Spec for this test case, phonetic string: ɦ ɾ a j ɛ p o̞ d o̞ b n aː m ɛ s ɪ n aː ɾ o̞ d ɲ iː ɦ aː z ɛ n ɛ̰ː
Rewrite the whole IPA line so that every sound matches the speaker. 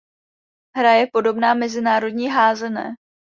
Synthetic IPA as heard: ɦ ɾ a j ɛ p o̞ d o̞ b n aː m ɛ z ɪ n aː ɾ o̞ d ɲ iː ɦ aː z ɛ n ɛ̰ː